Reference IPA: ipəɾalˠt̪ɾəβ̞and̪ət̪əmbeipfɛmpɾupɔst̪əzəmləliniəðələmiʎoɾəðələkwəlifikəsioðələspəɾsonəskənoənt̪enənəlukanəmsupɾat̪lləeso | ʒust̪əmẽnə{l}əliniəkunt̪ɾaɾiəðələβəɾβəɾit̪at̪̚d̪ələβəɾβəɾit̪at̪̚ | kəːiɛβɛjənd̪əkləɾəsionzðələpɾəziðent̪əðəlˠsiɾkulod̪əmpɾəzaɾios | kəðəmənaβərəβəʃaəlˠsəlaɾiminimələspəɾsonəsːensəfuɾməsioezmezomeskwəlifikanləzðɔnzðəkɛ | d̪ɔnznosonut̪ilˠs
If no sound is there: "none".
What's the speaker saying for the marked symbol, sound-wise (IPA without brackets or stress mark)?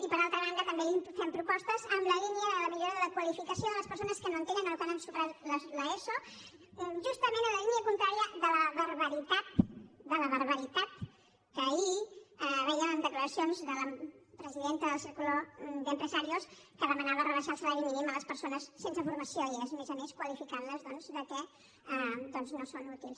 l